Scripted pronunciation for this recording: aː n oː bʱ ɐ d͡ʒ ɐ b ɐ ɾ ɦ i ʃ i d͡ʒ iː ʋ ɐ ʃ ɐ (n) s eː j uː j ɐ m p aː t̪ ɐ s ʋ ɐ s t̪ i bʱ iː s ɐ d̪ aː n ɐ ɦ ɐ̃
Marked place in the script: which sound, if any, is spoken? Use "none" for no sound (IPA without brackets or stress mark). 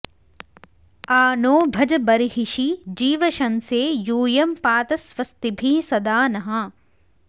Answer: n